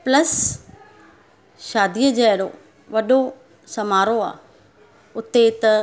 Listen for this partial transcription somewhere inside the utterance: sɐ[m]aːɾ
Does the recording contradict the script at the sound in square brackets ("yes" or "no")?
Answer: no